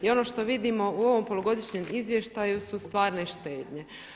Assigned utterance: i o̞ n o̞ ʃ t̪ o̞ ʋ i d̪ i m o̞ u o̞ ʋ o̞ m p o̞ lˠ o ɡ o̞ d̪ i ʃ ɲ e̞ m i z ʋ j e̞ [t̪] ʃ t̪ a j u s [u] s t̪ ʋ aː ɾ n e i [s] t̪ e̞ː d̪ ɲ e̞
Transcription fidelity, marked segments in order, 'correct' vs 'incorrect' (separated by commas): incorrect, correct, incorrect